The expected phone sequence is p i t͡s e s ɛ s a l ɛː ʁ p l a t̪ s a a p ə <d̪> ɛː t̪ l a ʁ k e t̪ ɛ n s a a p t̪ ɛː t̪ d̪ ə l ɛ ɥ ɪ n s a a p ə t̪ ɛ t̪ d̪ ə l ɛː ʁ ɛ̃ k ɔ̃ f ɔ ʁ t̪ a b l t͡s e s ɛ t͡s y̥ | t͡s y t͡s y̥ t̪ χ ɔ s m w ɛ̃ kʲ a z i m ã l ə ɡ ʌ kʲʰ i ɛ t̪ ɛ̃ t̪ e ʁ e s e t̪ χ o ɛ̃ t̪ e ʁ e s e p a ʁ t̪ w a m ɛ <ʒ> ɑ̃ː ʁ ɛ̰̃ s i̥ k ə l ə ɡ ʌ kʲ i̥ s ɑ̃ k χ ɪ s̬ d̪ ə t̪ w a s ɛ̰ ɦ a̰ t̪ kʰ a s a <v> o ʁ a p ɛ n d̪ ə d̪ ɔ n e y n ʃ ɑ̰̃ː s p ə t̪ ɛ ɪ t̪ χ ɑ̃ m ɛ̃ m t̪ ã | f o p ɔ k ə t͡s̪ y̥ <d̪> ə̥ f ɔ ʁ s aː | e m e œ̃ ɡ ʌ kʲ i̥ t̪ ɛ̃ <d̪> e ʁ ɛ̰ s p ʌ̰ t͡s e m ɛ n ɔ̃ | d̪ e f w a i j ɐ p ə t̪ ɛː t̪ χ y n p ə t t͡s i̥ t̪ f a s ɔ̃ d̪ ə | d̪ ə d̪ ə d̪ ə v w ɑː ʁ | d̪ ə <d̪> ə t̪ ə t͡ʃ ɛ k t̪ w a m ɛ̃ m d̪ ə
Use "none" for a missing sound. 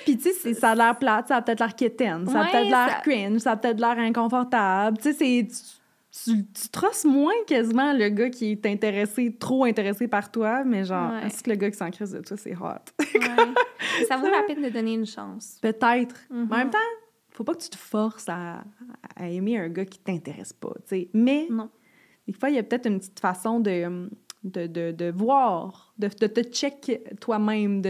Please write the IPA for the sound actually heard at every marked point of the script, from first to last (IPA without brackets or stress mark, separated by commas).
t̪, ʒ, v, t̪, t̪, d̪